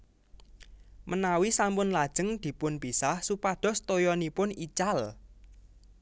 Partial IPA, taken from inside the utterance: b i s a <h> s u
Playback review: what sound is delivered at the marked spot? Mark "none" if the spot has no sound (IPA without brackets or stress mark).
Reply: h